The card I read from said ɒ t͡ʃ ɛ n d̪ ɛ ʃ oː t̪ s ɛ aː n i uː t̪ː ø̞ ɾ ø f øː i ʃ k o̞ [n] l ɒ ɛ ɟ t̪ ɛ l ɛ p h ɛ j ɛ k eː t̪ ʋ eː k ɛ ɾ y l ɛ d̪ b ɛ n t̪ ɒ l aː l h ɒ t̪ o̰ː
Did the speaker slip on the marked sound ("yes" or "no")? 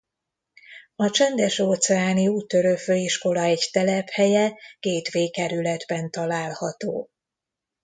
yes